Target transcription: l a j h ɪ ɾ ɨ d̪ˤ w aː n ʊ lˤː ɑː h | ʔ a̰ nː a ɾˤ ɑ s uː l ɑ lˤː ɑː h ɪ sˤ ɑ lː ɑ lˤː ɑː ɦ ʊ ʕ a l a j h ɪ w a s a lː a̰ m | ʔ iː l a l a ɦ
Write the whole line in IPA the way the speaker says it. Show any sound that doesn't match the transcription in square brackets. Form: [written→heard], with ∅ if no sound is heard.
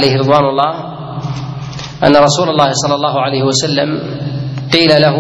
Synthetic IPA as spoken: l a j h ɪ ɾ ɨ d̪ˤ w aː n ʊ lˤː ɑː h | ʔ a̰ nː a ɾˤ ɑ s uː l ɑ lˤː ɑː h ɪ sˤ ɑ lː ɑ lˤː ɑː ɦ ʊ ʕ a l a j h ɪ w a s a lː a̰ m | [ʔ→q] iː l a l a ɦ